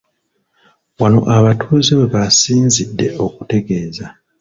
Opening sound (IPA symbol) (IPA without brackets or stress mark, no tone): w